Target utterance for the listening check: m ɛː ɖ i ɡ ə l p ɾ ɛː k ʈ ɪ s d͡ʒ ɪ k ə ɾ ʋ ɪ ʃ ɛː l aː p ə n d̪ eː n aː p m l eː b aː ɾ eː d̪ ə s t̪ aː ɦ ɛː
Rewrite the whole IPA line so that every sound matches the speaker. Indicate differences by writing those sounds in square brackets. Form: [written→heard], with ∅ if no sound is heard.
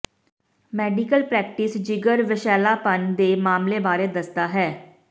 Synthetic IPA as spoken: m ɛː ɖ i [ɡ→k] ə l p ɾ ɛː k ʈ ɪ s d͡ʒ ɪ [k→ɡ] ə ɾ ʋ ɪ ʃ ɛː l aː p ə n d̪ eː [n→m] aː [p→∅] m l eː b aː ɾ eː d̪ ə s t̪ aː ɦ ɛː